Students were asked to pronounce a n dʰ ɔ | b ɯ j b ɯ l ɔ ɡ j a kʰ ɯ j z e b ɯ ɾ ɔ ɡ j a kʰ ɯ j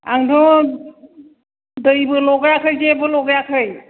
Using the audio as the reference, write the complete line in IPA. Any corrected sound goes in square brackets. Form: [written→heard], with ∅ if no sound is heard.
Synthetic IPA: a [n→ŋ] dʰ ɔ | [b→d] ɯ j b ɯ l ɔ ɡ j a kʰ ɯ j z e b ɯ [ɾ→l] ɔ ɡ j a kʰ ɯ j